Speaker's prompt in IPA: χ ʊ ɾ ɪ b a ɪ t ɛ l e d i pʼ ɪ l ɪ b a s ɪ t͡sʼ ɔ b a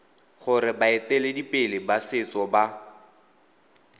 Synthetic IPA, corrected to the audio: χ ʊ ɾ ɪ b a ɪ t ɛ l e d i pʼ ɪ l ɪ b a s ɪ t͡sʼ ɔ b a

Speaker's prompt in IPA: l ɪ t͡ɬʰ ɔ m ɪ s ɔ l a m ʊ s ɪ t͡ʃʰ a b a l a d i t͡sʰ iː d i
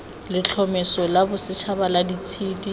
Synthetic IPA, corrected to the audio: l ɪ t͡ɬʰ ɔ m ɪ s ɔ l a b ʊ s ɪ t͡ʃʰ a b a l a d i t͡sʰ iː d i

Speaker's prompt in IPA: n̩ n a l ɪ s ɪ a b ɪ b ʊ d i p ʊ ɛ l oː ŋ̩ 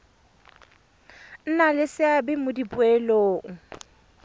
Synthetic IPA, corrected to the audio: n̩ n a l ɪ s ɪ a b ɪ m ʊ d i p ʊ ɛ l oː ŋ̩

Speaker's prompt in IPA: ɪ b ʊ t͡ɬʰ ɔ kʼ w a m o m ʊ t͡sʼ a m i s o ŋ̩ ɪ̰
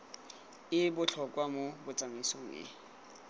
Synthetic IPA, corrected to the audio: ɪ b ʊ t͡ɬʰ ɔ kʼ w a m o b ʊ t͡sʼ a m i s o ŋ̩ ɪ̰

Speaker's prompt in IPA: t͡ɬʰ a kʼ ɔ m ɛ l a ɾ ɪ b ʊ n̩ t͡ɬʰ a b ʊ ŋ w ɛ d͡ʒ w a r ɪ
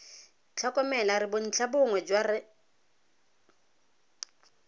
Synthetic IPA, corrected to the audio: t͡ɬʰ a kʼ ɔ m ɛ l a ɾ ɪ b ʊ n̩ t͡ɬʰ a b ʊ ŋ w ɛ d͡ʒ w a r ɪ

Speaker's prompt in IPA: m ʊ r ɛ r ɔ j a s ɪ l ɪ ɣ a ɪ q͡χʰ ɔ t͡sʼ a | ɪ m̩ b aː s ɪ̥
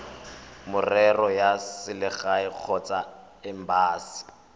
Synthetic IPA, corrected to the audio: m ʊ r ɛ r ɔ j a s ɪ l ɪ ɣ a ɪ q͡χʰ ɔ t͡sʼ a | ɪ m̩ b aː s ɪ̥

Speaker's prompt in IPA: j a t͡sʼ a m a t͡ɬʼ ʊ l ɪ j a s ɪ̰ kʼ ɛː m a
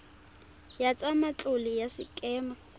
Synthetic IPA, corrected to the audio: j a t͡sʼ a m a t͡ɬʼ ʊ l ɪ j a s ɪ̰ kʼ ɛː m a

